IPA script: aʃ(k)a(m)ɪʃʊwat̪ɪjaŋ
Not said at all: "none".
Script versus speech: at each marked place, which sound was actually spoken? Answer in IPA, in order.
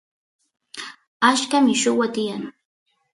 k, m

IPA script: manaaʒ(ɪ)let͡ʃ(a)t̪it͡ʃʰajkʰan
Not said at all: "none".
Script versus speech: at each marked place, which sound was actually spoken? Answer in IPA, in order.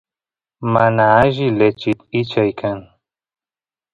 i, i

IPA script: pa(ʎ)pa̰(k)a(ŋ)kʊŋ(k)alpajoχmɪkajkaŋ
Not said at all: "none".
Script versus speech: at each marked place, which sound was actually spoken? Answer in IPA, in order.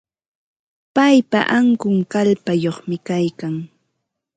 j, ʔ, ŋ, k

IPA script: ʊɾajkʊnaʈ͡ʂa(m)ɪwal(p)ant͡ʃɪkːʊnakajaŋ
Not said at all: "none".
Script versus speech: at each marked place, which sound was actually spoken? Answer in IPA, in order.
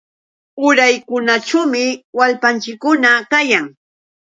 m, p

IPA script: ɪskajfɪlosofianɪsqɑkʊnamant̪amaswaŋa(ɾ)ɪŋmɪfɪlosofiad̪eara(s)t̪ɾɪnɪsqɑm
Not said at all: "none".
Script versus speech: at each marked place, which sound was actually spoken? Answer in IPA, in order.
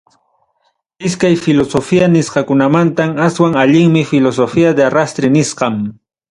ʎ, s

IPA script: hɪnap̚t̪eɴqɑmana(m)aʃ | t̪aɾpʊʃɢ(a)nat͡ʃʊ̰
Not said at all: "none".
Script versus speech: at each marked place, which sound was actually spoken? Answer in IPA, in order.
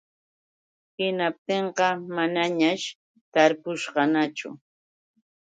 ɲ, ɑ

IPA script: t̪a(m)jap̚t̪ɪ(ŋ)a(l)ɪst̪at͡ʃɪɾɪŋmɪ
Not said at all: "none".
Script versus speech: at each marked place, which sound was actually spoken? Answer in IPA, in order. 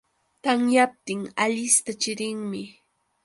ŋ, ŋ, ʎ

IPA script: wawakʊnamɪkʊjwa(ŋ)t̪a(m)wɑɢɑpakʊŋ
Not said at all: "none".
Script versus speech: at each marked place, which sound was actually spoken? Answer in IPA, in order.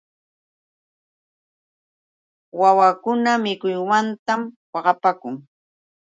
n, m

